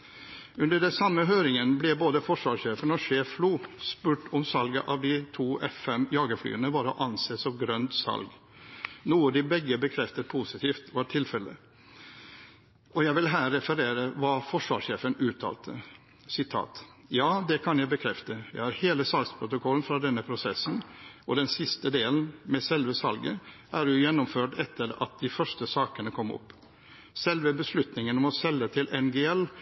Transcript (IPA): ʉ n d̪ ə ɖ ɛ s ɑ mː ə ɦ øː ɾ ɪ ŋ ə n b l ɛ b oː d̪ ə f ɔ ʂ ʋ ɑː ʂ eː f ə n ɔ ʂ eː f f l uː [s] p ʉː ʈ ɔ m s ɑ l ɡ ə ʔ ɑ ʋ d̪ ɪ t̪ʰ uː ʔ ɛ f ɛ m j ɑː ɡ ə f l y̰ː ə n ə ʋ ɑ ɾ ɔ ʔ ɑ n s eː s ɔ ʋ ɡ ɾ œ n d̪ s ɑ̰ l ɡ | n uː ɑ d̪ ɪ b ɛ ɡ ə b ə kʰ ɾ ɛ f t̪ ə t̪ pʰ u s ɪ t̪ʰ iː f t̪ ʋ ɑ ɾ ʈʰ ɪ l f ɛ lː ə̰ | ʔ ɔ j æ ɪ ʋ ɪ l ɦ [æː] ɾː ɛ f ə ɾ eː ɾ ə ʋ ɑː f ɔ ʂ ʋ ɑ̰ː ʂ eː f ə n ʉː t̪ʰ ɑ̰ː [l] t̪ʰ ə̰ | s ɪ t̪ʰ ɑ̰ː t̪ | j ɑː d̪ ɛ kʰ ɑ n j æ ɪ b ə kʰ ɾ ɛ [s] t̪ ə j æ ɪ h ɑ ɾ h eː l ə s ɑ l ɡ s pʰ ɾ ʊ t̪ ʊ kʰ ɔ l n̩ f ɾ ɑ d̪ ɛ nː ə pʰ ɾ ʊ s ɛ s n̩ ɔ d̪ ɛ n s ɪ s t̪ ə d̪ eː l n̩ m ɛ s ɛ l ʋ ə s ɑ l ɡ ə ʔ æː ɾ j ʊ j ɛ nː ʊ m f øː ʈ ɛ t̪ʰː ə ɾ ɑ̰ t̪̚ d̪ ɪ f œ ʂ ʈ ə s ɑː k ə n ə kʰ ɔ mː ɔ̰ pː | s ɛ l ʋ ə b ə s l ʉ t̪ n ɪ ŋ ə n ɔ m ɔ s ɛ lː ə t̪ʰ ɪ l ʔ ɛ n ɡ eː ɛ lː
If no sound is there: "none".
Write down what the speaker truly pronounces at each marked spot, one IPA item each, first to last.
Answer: s, æː, l, f

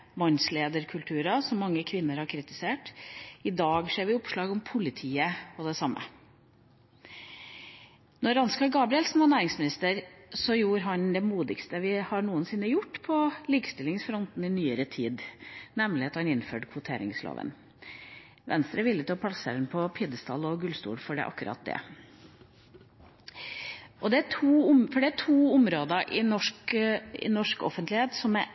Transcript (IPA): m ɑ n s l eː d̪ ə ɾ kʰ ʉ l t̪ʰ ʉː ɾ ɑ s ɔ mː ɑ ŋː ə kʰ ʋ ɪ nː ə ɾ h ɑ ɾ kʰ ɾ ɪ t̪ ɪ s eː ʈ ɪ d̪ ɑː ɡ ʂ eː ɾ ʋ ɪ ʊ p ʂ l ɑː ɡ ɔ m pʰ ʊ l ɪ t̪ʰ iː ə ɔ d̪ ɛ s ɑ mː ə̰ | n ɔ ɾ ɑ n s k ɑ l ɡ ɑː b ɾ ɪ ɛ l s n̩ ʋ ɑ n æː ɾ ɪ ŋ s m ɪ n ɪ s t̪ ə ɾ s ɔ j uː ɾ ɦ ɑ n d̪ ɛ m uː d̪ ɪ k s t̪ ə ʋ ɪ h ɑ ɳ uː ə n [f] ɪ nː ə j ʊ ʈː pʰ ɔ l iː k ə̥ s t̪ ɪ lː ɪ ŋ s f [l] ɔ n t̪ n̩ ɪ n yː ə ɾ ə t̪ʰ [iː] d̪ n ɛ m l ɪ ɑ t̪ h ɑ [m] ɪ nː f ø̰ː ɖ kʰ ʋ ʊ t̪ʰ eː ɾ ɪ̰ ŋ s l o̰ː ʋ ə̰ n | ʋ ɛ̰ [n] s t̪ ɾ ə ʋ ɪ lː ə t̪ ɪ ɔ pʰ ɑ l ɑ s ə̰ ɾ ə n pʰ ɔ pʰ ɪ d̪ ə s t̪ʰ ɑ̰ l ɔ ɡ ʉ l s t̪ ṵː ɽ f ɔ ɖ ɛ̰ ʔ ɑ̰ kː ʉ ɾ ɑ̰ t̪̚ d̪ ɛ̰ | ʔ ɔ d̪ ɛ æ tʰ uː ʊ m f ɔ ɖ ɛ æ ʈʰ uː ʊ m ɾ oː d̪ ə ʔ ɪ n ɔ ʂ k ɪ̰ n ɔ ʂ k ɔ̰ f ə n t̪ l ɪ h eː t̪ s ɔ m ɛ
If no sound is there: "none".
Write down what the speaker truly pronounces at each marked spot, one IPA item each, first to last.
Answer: s, ɾ, iː, n, n

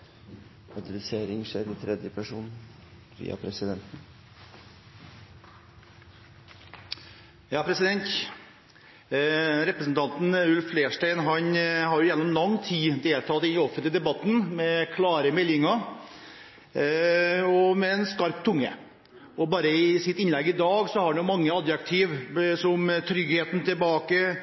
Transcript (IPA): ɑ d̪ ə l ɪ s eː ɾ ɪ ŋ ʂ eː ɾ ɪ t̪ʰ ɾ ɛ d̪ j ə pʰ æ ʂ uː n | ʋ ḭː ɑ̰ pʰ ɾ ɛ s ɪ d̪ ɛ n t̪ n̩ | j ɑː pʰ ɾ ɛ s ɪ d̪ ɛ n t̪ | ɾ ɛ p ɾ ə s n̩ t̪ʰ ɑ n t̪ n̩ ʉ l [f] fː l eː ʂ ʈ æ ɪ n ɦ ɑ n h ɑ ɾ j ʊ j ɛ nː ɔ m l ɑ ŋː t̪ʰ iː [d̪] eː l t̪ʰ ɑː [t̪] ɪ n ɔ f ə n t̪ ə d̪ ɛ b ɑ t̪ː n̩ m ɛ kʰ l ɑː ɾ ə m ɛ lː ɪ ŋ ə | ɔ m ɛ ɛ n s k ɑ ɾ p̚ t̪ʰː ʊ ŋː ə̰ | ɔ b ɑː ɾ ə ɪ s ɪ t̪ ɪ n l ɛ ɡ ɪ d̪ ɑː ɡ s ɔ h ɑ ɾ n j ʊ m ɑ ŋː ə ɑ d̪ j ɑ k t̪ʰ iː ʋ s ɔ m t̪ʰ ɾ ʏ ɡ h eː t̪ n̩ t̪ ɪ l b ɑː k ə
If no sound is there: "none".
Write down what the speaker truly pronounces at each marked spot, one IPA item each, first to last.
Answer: f, d̪, t̪

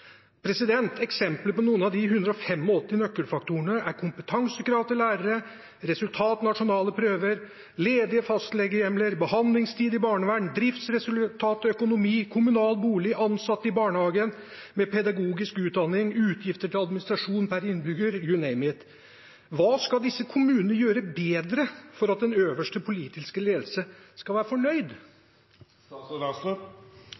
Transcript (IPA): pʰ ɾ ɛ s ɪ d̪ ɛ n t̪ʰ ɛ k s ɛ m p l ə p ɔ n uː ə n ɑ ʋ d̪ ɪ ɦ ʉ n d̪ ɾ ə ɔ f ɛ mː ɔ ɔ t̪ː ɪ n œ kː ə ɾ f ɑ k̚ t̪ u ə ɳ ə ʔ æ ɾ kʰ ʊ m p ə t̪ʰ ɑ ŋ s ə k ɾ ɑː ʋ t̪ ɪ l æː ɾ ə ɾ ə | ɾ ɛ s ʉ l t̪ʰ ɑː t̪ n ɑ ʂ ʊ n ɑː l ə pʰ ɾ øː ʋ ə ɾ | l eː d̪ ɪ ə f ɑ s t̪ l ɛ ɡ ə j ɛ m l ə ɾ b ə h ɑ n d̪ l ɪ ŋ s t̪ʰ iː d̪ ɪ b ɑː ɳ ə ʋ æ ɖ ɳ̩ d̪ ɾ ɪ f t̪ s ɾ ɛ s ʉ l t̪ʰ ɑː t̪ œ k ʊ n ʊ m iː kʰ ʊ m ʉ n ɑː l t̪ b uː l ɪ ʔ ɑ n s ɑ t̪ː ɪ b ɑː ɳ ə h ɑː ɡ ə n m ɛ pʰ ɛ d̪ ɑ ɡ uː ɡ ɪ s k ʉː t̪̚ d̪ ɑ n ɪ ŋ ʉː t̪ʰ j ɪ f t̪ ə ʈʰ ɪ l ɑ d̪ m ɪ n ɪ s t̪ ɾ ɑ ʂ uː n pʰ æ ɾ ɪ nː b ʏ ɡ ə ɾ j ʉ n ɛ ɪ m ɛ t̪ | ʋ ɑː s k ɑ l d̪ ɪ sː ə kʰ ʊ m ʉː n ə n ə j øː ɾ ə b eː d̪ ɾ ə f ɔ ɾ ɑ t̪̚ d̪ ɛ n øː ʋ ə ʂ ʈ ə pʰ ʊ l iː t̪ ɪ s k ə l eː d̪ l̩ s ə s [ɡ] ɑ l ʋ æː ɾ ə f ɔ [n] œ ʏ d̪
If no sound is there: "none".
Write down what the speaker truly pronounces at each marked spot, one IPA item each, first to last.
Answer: k, ɳ

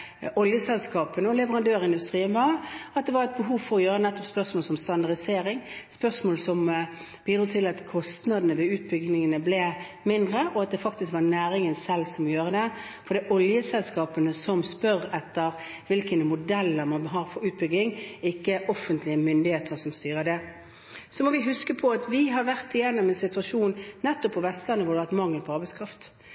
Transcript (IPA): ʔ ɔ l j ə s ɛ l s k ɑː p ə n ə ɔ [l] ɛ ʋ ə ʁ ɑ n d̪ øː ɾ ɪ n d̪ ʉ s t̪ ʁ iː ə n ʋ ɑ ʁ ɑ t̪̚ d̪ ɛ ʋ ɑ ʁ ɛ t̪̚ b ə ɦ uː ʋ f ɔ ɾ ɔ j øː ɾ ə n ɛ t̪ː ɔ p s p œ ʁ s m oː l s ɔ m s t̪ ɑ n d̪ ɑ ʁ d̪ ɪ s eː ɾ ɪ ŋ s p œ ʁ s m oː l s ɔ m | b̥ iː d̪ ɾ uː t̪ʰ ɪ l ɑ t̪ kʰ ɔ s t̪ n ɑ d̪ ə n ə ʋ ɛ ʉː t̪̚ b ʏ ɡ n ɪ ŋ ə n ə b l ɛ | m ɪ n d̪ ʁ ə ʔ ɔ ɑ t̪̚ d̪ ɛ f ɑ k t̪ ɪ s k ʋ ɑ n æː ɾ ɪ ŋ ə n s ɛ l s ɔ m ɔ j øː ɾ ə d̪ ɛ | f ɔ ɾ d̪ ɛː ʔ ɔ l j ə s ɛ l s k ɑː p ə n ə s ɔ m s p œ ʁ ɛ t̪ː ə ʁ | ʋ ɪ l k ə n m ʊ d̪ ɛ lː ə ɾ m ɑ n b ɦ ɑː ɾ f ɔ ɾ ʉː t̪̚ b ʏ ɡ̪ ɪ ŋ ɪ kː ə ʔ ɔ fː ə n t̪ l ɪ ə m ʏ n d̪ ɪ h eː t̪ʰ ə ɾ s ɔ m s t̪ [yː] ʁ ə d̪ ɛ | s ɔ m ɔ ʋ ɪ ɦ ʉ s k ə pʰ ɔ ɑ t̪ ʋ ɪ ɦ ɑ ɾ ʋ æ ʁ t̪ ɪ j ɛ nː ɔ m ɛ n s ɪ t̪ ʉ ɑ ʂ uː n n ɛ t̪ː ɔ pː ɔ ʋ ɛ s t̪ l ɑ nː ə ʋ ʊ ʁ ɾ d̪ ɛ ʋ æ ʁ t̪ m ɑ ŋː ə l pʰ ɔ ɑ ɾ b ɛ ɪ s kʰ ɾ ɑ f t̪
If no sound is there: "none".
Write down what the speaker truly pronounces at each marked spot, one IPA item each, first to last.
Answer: l, yː

